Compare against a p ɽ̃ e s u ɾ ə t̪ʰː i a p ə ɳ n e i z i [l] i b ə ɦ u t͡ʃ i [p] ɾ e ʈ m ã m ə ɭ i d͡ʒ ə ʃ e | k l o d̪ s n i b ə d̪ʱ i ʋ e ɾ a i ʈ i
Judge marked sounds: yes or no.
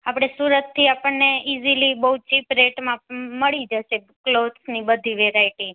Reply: yes, yes

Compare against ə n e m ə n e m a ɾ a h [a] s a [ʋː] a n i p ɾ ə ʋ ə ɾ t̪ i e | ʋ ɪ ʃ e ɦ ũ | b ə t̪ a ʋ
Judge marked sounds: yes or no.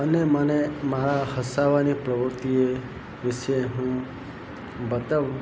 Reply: no, no

